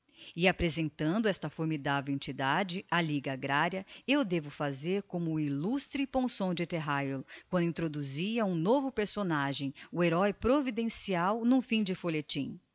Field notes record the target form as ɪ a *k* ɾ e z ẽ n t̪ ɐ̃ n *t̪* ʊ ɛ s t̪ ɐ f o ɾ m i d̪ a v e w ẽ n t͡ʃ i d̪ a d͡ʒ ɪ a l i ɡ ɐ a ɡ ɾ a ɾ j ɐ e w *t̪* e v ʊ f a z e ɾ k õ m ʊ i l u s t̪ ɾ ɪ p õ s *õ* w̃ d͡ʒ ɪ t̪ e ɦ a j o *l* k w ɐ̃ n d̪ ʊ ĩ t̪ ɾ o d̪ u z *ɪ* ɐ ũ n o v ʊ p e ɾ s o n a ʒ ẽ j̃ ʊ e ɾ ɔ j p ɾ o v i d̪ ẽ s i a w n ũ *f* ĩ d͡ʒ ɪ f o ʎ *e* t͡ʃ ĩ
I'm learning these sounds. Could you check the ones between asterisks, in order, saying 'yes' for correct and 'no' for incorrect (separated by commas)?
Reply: no, no, no, yes, yes, no, yes, yes